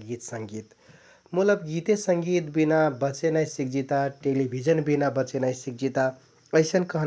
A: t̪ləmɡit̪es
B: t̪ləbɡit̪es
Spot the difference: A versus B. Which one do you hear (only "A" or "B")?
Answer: B